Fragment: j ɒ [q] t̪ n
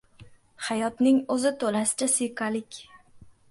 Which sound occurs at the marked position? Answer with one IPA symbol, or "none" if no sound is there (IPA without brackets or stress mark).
none